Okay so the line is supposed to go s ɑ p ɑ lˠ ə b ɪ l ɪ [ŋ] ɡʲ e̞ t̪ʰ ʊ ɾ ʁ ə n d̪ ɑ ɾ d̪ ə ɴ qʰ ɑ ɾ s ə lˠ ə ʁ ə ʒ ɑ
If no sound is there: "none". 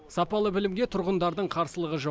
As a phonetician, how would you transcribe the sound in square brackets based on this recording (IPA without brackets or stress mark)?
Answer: m